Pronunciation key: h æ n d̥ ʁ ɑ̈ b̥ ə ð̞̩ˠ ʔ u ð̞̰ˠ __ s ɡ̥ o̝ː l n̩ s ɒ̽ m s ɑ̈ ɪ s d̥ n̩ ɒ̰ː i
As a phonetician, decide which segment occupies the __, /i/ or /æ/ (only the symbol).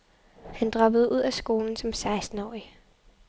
æ